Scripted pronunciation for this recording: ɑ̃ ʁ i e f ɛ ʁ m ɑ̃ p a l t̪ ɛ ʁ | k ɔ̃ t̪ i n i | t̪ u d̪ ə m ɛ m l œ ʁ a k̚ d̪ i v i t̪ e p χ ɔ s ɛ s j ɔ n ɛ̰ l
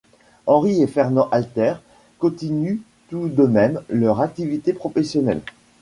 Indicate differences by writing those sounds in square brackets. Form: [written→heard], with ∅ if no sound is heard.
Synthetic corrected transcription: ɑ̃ ʁ i e f ɛ ʁ [m→n] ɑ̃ [p→ʔ] a l t̪ ɛ ʁ | k ɔ̃ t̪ i n [i→y] | t̪ u d̪ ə m ɛ m l œ ʁ a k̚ [d̪→t̪] i v i t̪ e p χ ɔ [s→f] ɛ s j ɔ n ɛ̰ l